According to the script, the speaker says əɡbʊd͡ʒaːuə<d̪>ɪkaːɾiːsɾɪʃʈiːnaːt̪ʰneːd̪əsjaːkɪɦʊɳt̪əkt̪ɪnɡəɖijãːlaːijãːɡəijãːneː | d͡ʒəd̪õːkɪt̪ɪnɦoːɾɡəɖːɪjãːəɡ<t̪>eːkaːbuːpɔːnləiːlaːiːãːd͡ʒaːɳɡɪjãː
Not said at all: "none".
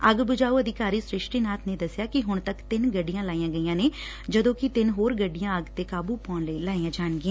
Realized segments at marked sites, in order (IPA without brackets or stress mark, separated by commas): d̪, t̪